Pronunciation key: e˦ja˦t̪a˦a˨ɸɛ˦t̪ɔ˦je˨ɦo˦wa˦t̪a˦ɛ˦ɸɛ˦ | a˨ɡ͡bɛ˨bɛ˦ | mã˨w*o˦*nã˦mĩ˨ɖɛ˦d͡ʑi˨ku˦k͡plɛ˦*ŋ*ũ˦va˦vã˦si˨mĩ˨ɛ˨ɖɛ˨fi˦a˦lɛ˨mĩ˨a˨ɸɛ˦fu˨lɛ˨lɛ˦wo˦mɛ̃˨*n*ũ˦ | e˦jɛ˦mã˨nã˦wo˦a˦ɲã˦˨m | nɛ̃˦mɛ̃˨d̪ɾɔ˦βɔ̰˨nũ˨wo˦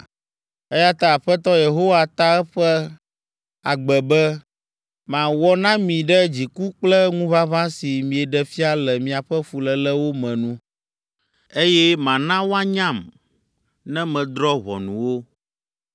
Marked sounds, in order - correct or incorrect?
incorrect, correct, correct

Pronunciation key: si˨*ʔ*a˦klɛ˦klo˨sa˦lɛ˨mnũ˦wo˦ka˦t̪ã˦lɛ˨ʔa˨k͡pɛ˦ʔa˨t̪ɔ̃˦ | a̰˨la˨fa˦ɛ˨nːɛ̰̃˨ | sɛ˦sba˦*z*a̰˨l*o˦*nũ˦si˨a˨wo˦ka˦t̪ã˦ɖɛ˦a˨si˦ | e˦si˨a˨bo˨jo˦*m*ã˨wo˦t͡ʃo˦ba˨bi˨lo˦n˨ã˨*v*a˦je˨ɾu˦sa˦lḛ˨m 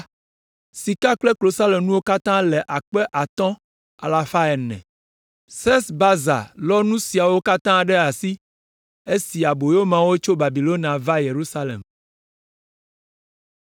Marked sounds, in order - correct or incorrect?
incorrect, correct, incorrect, correct, correct

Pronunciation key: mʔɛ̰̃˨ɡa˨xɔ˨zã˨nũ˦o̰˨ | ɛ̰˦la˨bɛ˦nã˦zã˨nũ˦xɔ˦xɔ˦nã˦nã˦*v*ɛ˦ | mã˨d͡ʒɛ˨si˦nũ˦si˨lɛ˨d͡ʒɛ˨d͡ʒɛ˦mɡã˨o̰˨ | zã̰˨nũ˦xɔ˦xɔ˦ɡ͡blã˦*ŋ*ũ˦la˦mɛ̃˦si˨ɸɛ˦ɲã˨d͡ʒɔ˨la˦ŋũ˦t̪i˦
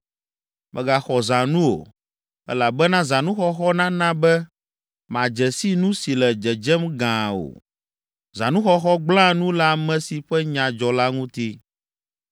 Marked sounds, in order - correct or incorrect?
incorrect, incorrect

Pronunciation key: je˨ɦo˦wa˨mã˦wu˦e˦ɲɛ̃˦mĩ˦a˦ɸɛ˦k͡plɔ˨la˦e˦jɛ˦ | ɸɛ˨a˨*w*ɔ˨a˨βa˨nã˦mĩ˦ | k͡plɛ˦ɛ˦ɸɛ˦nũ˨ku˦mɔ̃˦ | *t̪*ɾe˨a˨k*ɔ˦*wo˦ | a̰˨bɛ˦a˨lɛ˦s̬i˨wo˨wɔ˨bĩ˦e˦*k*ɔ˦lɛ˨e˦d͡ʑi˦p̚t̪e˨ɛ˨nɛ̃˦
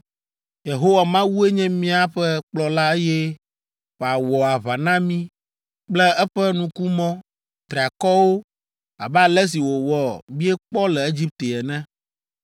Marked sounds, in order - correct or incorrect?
correct, correct, correct, incorrect

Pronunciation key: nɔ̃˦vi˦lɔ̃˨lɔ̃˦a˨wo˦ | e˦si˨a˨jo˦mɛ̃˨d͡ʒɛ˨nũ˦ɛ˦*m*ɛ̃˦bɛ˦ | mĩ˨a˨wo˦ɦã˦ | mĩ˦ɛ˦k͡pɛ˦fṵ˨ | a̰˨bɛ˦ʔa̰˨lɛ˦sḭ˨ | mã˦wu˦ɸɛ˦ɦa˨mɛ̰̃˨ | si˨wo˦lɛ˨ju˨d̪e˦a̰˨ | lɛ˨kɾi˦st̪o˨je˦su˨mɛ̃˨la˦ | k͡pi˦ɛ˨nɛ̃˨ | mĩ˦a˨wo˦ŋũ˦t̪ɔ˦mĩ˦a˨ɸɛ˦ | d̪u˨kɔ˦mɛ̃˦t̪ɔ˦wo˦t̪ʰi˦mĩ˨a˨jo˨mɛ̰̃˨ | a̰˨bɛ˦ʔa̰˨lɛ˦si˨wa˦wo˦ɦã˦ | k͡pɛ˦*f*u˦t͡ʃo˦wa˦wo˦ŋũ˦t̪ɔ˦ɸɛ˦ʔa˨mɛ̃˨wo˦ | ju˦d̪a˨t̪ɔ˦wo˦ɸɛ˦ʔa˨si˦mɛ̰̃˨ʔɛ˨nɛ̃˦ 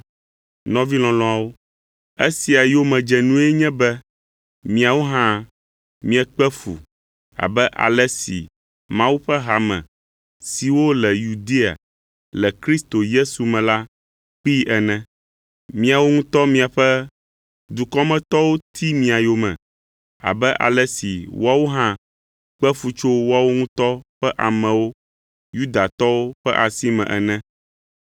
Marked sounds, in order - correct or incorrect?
incorrect, correct

